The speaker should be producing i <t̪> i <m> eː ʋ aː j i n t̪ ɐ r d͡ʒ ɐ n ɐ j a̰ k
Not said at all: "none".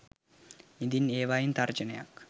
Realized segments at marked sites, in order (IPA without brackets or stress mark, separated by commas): d̪, n